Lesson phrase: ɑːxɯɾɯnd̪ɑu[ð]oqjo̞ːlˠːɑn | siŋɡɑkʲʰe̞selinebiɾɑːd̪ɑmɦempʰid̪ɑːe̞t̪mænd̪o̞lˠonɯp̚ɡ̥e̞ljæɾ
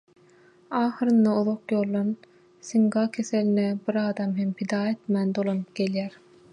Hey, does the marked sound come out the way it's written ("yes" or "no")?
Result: yes